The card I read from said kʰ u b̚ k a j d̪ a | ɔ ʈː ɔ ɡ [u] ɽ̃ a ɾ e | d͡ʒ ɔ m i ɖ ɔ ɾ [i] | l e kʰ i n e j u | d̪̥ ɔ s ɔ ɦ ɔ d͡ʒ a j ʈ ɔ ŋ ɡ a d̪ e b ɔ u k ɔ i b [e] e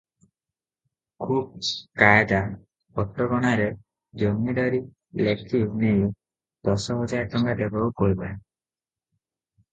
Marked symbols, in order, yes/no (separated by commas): no, yes, no